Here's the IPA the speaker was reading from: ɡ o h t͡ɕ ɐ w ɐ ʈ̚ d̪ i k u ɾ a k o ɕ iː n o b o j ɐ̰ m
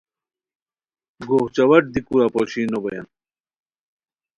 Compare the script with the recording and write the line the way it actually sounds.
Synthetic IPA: ɡ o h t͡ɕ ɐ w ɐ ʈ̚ d̪ i k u ɾ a p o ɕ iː n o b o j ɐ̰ n

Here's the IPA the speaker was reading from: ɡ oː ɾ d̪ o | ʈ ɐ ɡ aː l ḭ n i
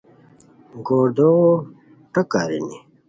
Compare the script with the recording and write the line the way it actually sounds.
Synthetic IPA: ɡ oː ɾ d̪ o | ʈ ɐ k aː ɾ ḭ n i

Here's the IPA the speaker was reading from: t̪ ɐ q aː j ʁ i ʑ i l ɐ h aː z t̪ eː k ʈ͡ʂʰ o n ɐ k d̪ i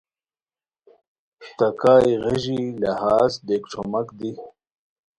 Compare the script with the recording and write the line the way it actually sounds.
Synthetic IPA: t̪ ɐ k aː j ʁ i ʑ i l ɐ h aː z d̪ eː k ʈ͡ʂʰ o m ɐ k d̪ i

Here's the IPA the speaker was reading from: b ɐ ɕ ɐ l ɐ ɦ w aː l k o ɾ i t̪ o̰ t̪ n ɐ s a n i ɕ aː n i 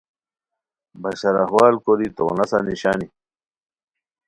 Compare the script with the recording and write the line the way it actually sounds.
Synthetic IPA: b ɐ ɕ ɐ ɾ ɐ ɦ w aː l k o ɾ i t̪ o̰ n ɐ s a n i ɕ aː n i

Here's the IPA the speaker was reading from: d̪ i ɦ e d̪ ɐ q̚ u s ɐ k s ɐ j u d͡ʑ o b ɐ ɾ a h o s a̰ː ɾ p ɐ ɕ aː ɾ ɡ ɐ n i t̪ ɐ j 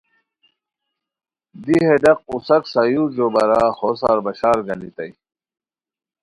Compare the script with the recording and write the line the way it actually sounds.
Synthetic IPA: d̪ i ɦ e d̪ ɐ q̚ u s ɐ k s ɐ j u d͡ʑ o b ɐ ɾ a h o s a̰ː ɾ b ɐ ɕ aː ɾ ɡ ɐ n i t̪ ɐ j

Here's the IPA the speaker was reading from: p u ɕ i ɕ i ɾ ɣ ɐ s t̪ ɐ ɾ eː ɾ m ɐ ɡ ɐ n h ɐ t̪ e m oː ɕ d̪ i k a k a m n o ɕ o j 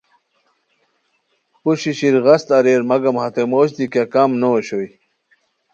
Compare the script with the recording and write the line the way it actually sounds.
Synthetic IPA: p u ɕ i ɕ i ɾ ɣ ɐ s t̪ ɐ ɾ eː ɾ m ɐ ɡ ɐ m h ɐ t̪ e m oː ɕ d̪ i k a k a m n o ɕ o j

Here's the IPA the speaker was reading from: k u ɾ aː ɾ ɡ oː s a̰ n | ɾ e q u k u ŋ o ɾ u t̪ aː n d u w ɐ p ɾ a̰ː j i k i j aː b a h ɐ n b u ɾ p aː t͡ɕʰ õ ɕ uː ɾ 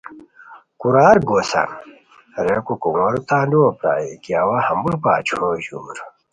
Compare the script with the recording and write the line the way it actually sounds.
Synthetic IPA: k u ɾ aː ɾ ɡ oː s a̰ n | ɾ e k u k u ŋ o ɾ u t̪ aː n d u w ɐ p ɾ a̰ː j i k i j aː w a h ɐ m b u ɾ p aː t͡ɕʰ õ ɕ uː ɾ

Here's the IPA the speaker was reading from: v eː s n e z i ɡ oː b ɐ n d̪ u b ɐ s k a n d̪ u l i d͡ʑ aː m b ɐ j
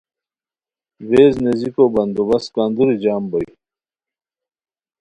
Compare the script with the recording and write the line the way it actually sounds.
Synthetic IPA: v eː z n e z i k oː b ɐ n d̪ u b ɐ s k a n d̪ u ɾ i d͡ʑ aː m b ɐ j

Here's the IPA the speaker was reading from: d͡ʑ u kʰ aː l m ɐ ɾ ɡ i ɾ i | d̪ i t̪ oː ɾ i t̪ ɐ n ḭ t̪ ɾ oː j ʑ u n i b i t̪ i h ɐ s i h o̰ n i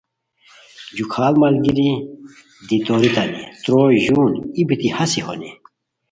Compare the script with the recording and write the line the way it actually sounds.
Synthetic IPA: d͡ʑ u kʰ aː l m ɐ l ɡ i ɾ i | d̪ i t̪ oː ɾ i t̪ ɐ n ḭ t̪ ɾ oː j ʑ u n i b i t̪ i h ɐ s i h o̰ n i

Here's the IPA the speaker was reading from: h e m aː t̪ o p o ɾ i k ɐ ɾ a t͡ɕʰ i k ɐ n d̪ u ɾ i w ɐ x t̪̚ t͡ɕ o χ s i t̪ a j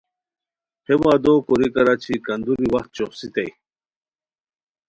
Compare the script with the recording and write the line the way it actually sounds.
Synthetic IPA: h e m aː d̪ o k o ɾ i k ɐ ɾ a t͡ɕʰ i k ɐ n d̪ u ɾ i w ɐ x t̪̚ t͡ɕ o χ s i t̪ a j

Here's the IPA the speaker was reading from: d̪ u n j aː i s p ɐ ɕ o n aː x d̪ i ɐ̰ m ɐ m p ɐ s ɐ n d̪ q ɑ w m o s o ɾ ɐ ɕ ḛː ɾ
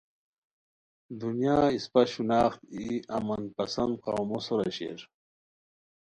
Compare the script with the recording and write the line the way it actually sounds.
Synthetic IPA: d̪ u n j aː i s p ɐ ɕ u n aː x t̪ i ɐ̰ m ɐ n p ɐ s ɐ n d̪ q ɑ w m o s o ɾ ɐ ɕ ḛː ɾ

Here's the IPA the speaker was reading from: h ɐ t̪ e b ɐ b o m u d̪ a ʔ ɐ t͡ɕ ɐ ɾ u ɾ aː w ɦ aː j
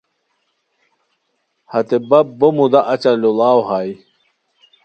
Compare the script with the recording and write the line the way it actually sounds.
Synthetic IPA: h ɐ t̪ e b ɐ b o m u d̪ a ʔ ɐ t͡ɕ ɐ l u l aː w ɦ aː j

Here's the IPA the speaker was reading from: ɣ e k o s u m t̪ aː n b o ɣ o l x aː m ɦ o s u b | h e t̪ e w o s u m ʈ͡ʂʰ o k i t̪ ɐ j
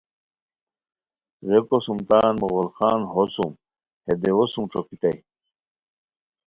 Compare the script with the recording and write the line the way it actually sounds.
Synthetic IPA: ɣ e k o s u m t̪ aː n m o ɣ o l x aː n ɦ o s u m | h e d̪ e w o s u m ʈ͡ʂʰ o k i t̪ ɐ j

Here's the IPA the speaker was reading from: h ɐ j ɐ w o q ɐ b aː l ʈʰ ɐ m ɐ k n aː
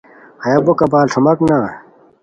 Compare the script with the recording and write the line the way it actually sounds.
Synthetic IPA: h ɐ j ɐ b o k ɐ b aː l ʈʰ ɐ m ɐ k n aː

